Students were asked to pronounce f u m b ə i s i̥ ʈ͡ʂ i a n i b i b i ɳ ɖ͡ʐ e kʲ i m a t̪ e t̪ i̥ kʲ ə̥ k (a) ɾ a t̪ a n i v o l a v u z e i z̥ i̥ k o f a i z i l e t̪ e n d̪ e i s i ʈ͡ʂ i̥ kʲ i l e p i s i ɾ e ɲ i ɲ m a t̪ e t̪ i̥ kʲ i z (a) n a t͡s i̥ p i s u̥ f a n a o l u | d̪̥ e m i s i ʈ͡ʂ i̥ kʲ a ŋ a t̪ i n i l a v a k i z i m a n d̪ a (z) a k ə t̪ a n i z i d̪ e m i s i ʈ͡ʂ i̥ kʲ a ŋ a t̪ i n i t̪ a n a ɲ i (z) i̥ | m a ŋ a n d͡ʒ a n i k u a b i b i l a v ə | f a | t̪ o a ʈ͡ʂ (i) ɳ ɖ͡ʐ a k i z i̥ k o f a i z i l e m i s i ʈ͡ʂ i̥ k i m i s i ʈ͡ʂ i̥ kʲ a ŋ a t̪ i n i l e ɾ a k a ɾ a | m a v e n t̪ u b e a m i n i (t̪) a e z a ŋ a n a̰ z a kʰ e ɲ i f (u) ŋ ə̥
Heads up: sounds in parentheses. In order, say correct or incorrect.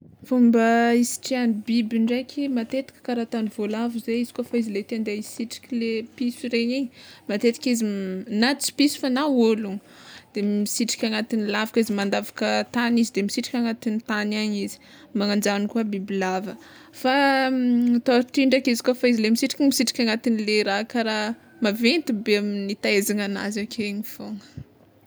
correct, incorrect: i, incorrect: v, correct, correct, correct, incorrect: o

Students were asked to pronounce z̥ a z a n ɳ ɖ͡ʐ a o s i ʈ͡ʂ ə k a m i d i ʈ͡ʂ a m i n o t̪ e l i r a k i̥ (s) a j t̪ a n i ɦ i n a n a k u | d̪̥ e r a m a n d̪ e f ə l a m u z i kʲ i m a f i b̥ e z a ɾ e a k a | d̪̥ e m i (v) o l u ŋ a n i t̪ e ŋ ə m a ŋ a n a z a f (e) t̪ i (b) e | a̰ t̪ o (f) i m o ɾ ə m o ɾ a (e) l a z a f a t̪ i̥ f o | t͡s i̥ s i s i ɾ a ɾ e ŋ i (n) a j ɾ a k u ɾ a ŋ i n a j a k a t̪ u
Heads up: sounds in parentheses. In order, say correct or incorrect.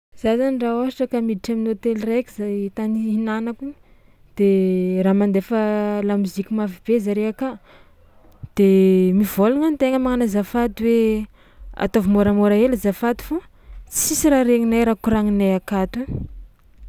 incorrect: z, correct, incorrect: a, incorrect: w, incorrect: v, correct, correct

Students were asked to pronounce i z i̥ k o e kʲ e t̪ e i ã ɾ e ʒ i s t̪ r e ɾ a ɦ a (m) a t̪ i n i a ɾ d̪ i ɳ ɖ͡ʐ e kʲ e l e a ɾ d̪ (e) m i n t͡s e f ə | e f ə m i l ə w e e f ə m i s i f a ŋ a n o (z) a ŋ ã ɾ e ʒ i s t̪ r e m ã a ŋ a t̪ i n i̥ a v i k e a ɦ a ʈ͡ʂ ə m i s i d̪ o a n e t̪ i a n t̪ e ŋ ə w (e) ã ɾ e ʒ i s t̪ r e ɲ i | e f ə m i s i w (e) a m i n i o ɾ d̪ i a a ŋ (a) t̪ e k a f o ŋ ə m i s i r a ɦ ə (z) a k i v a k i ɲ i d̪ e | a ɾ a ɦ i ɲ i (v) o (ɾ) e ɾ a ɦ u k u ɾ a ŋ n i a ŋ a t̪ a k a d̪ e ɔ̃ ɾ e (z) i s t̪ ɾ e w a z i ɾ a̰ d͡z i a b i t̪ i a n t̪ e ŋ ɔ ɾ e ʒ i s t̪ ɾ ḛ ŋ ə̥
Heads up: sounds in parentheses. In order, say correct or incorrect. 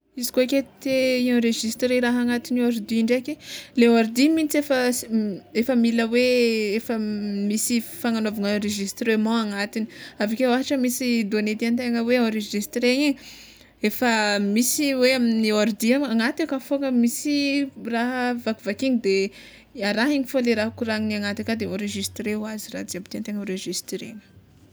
incorrect: ŋ, incorrect: i, incorrect: v, correct, correct, correct, incorrect: v, incorrect: f, incorrect: l, incorrect: ʒ

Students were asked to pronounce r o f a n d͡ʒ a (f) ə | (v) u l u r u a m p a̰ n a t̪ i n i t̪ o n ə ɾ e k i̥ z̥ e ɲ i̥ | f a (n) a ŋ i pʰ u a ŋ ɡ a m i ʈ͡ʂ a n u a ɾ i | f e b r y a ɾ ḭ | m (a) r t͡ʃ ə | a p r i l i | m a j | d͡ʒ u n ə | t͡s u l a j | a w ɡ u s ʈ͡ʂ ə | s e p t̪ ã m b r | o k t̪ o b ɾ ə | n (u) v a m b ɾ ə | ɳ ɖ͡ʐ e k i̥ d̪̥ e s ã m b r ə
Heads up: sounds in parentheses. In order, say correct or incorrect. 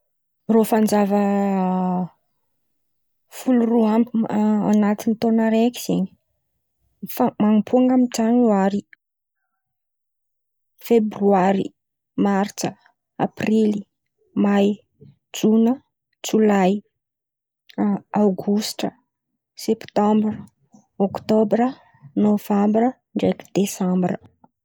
incorrect: v, incorrect: f, incorrect: m, correct, incorrect: o

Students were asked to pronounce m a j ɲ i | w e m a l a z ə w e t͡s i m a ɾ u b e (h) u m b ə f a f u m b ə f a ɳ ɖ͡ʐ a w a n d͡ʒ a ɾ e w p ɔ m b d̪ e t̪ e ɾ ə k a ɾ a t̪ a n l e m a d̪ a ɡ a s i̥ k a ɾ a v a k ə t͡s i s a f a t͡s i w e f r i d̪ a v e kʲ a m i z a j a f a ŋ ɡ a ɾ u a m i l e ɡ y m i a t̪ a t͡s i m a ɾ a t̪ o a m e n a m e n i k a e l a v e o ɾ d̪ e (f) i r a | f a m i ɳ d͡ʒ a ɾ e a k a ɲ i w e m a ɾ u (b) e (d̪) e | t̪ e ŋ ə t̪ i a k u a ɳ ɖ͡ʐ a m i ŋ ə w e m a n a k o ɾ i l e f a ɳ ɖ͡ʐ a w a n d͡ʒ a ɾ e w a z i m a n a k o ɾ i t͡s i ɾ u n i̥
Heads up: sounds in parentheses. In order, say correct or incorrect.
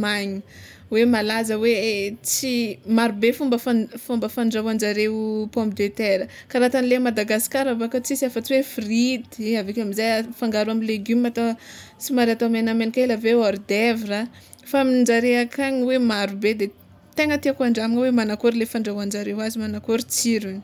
incorrect: f, incorrect: v, correct, correct

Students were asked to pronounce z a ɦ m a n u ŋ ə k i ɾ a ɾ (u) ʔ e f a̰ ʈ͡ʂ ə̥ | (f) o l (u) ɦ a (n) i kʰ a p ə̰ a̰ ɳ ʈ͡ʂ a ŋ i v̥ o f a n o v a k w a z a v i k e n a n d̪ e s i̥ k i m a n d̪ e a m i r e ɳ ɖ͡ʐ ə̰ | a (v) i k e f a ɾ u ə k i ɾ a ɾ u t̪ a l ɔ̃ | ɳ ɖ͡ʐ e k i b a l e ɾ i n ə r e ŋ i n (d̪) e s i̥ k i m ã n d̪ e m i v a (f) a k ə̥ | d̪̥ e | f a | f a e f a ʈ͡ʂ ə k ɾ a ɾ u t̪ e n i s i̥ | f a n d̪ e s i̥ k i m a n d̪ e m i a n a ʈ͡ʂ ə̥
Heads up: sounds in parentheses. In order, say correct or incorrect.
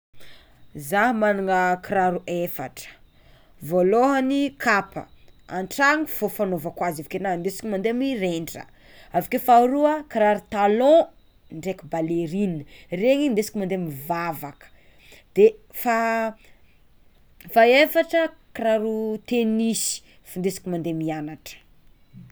correct, incorrect: v, incorrect: o, correct, correct, correct, incorrect: v

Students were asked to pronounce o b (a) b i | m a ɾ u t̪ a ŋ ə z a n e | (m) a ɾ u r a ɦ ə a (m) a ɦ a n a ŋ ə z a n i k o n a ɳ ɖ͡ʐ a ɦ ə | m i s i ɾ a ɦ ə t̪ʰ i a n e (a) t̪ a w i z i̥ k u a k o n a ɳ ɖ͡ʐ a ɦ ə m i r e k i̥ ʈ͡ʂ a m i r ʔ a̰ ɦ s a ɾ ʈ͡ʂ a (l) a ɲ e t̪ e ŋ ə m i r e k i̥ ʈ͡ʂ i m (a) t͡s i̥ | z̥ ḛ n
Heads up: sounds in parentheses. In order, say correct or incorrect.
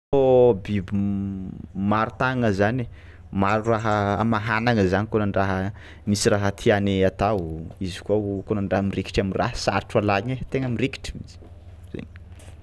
incorrect: i, correct, correct, correct, correct, incorrect: i

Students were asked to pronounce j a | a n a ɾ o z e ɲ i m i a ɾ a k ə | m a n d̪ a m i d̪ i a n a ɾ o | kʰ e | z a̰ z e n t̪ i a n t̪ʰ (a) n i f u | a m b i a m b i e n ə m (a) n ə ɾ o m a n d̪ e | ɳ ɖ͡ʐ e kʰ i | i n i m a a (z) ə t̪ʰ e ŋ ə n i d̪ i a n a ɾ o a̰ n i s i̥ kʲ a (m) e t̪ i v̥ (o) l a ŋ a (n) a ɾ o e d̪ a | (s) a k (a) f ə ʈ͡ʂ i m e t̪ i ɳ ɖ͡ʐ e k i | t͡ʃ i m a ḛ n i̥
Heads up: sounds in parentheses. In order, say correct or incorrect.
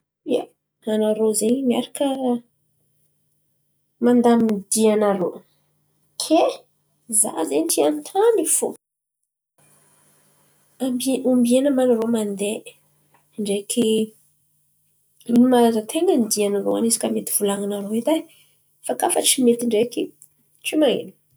correct, correct, correct, correct, incorrect: u, correct, incorrect: f, correct

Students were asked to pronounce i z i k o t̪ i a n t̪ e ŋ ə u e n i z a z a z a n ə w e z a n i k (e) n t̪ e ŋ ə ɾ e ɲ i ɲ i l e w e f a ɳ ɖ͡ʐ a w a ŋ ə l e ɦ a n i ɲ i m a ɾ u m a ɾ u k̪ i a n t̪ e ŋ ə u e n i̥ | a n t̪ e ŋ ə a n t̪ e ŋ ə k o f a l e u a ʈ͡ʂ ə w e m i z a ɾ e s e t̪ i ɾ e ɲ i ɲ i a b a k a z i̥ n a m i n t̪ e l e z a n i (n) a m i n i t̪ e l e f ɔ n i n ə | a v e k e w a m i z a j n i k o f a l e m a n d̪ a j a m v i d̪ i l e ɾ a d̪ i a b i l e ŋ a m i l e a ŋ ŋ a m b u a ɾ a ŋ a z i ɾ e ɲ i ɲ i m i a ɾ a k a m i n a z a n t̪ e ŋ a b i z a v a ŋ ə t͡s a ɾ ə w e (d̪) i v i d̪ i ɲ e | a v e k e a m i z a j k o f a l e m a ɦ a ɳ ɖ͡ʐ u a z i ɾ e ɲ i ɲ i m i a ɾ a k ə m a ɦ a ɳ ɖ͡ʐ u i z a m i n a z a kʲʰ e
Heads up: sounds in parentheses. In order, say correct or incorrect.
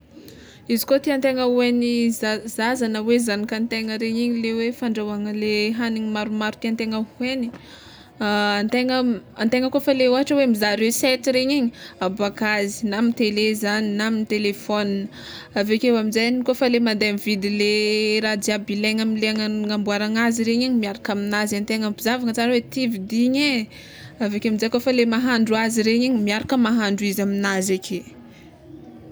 incorrect: a, correct, incorrect: t̪

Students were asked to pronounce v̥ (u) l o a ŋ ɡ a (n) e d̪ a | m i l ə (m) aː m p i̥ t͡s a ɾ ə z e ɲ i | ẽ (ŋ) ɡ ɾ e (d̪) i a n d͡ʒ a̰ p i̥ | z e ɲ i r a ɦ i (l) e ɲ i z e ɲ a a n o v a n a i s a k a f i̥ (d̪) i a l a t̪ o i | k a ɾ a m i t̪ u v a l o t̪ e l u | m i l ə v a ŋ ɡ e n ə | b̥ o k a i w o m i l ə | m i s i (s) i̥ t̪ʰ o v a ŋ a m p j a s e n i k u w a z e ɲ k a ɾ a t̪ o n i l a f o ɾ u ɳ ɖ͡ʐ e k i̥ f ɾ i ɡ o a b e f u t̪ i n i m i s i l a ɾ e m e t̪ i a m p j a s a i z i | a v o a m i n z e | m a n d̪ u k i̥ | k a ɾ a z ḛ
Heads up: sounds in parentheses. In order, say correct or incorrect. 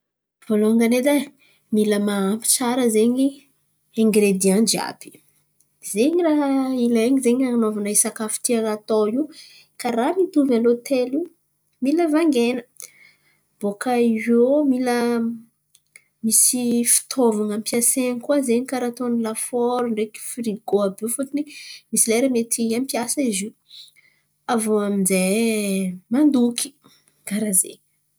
incorrect: o, correct, correct, correct, correct, correct, incorrect: t̪, incorrect: f

